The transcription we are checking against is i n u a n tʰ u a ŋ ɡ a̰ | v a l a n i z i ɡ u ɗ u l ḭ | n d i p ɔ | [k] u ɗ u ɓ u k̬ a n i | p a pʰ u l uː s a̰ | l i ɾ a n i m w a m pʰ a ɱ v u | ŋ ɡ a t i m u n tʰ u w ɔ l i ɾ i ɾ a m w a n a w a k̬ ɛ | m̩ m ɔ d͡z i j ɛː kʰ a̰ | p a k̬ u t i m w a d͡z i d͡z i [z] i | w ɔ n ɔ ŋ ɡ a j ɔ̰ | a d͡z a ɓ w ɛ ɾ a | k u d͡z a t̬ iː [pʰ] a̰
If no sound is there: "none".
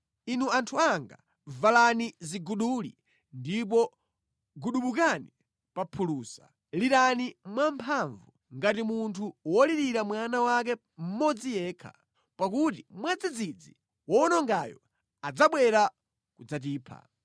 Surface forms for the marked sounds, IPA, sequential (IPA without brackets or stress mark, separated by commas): ɡ, d͡z, pʰ